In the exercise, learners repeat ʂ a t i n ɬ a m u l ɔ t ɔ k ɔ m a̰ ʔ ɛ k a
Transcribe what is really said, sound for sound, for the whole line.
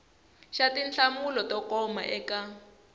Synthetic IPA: ʃ a t i n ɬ a m u l ɔ t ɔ k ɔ m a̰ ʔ ɛ k a